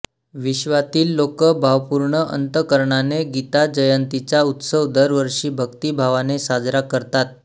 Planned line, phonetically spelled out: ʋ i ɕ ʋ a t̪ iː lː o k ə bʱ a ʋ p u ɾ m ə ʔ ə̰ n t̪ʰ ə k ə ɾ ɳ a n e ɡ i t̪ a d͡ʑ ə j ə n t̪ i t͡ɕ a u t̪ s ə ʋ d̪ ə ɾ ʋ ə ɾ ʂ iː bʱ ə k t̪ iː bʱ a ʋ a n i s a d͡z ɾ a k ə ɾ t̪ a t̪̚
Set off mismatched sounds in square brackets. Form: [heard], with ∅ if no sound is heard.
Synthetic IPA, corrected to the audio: ʋ i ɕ ʋ a t̪ iː lː o k ə bʱ a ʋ p u ɾ [ɳ] ə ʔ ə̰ n [t̪] ə k ə ɾ ɳ a n e ɡ i t̪ a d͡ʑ ə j ə n t̪ i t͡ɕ a u t̪ s ə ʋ d̪ ə ɾ ʋ ə ɾ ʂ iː bʱ ə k t̪ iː bʱ a ʋ a n [e] s a d͡z ɾ a k ə ɾ t̪ a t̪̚